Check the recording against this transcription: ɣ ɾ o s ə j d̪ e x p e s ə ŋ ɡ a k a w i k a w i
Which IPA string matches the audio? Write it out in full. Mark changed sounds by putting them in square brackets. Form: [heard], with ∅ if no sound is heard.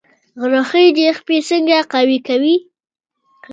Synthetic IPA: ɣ ɾ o [x] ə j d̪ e x p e s ə ŋ ɡ a [q] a w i k a w i